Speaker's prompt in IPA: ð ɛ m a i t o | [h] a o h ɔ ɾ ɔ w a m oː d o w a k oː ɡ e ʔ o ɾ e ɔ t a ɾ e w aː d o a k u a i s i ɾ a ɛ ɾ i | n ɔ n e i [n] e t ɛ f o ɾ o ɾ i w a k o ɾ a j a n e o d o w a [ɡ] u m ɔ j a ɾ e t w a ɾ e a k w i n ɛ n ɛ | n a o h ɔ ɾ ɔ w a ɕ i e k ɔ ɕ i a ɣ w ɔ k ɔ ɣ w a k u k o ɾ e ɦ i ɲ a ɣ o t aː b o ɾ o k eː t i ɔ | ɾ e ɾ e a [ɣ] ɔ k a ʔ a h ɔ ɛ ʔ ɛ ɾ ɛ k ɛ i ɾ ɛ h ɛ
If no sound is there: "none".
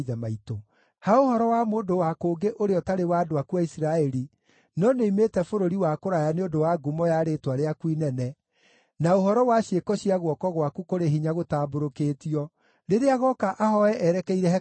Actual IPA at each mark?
h, m, ɡ, ɣ

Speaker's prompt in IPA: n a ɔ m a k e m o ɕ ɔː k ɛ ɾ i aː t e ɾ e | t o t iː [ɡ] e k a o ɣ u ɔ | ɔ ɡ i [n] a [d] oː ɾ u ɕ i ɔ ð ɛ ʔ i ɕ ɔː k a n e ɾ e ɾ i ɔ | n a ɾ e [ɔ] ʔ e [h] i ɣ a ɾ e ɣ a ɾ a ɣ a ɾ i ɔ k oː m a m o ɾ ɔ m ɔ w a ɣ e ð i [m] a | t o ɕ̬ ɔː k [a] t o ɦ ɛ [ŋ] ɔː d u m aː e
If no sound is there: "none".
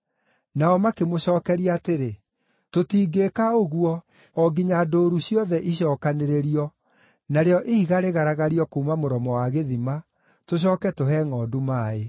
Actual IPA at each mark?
ɡ, ɲ, d, ɔ, h, m, ɛ, ŋ

